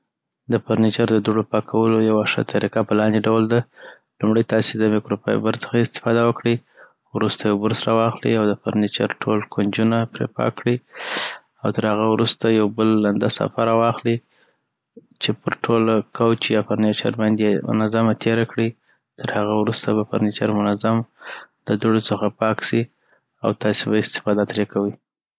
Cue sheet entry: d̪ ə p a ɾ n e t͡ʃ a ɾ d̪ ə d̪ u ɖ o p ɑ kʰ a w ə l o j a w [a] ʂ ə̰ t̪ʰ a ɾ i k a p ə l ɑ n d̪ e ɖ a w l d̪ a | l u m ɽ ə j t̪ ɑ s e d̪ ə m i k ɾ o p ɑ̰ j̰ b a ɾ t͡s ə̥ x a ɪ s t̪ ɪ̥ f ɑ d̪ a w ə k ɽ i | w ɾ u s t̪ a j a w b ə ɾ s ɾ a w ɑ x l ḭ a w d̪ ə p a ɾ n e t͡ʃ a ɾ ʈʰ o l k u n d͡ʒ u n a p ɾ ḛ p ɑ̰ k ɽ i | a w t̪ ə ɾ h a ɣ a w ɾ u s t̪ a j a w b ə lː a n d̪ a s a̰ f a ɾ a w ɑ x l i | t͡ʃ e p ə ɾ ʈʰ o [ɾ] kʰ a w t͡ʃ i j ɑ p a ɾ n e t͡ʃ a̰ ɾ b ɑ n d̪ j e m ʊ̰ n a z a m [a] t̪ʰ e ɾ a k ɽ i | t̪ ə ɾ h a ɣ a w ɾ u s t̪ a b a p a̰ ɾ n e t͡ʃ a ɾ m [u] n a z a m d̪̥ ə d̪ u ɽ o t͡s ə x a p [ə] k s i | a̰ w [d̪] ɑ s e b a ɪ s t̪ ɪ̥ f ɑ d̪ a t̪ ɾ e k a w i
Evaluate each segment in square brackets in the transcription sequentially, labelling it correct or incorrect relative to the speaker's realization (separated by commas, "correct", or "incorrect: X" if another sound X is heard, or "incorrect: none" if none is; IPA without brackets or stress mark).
correct, incorrect: l, correct, incorrect: ʊ, incorrect: ɑ, incorrect: t̪